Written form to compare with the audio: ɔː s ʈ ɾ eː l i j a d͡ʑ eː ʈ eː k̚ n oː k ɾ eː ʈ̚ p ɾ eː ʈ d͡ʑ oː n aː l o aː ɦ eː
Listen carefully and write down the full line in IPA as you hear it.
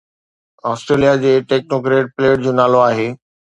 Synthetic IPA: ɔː s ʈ ɾ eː l i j a d͡ʑ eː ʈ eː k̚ n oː k ɾ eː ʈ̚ p l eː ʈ d͡ʑ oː n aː l o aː ɦ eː